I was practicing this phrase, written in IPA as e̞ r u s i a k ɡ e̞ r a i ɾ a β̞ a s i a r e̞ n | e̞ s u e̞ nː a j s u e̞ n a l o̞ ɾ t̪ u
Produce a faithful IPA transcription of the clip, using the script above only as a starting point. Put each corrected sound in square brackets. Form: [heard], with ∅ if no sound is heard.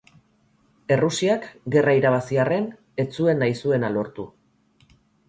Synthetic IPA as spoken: e̞ r u s i a k ɡ e̞ r a i ɾ a β̞ a s i a r e̞ n | e̞ [t͡s] u e̞ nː a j s u e̞ n a l o̞ ɾ t̪ u